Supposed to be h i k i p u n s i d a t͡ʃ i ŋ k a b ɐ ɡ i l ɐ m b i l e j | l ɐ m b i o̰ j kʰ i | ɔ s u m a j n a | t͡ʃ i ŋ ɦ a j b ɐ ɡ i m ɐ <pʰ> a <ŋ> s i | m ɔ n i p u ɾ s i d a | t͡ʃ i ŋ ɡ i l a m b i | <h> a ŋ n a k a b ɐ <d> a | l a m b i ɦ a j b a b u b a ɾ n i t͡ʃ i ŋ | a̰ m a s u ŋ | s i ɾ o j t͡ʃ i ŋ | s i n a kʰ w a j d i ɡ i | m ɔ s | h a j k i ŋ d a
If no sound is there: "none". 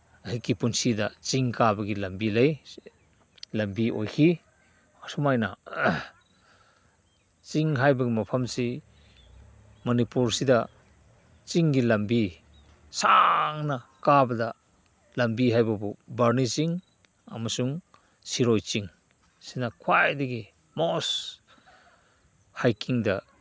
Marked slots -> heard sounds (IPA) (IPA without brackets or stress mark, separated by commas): pʰ, m, s, d